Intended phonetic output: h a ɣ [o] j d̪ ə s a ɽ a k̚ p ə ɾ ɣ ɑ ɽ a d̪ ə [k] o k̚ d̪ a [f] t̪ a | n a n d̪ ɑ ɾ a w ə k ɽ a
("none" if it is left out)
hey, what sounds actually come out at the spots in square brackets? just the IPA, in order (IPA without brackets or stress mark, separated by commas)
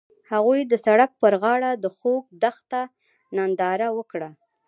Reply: u, x, x